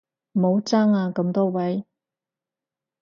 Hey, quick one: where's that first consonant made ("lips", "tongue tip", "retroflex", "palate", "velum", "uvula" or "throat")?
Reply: lips